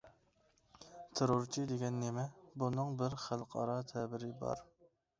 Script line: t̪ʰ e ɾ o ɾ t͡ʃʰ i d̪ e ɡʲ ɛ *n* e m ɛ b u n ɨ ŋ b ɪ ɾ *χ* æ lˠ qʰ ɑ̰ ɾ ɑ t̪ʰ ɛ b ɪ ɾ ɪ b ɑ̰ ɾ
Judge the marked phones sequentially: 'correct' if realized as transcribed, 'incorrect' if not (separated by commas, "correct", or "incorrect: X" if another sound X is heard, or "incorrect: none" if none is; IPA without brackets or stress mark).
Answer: incorrect: nː, correct